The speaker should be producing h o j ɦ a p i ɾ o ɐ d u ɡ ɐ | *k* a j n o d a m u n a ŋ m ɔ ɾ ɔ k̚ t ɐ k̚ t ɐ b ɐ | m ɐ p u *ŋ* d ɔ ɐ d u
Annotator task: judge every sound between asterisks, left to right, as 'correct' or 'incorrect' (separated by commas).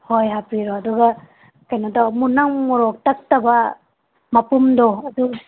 correct, incorrect